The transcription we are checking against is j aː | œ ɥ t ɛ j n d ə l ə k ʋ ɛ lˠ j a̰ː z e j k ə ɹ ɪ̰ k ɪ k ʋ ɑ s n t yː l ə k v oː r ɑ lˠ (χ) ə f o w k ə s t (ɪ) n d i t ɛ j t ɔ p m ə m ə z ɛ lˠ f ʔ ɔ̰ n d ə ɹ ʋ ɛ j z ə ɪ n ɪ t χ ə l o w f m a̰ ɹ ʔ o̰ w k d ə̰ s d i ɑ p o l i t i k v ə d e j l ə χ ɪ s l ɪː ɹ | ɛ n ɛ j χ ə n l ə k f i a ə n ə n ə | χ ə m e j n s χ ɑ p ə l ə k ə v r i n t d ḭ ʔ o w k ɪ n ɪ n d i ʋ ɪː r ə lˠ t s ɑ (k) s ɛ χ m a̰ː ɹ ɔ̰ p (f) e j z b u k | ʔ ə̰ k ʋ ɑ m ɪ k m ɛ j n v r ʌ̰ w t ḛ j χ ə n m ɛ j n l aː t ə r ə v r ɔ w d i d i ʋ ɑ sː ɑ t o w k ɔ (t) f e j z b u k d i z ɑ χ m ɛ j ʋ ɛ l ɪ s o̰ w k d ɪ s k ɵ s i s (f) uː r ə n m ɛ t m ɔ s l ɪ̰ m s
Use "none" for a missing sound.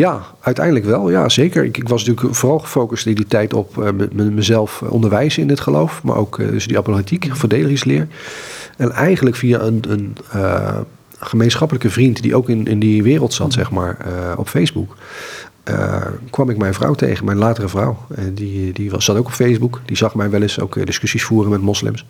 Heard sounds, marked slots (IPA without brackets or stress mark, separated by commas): χ, ɪ, t, f, p, f